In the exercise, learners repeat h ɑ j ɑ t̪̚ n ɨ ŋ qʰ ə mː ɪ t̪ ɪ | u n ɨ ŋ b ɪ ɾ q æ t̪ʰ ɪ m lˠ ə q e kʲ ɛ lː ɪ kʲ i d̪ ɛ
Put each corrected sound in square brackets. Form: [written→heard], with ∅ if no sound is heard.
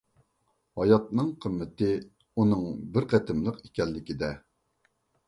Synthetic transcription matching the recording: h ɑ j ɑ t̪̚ n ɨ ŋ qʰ ə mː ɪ t̪ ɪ | u n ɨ ŋ b ɪ ɾ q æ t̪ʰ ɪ m lˠ ə q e kʲ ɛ lː ɪ kʲ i d̪ ɛ

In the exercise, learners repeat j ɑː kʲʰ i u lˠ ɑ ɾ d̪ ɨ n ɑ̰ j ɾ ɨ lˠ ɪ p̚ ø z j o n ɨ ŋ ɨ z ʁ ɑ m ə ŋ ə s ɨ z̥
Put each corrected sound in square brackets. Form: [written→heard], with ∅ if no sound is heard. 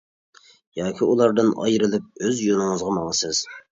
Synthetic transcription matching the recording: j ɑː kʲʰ i u lˠ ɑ ɾ d̪ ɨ n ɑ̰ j ɾ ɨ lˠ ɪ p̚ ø z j o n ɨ ŋ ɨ z ʁ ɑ m [ə→ɑ] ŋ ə s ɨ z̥

